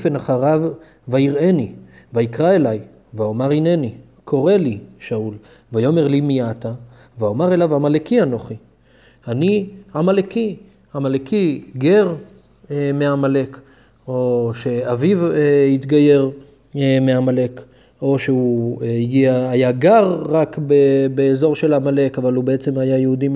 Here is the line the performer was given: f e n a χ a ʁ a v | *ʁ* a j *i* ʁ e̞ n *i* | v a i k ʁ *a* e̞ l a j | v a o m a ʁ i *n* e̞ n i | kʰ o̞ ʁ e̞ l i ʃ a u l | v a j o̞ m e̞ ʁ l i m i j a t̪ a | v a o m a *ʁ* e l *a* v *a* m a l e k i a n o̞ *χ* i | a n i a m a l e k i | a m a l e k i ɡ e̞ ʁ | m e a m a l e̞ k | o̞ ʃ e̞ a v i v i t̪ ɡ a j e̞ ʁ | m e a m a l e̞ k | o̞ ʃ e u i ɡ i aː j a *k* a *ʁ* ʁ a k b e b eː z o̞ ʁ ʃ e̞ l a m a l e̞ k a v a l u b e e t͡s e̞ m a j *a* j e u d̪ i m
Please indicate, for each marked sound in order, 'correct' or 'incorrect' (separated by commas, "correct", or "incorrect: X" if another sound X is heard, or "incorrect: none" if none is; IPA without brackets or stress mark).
incorrect: v, correct, correct, correct, correct, correct, correct, correct, correct, incorrect: ɡ, correct, correct